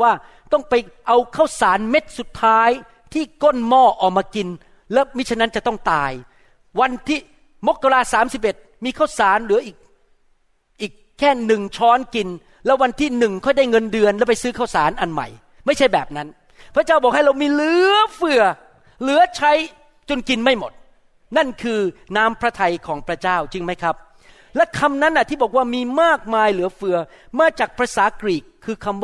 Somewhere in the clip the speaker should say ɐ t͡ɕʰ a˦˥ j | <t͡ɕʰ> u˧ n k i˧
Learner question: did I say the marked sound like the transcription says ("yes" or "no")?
no